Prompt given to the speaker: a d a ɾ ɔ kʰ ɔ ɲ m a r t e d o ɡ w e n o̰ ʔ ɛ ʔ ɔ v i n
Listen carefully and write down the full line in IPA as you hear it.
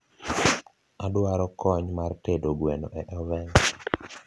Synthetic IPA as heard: a d a ɾ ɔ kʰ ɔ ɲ m a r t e d o ɡ w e n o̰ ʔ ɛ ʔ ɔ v ɛ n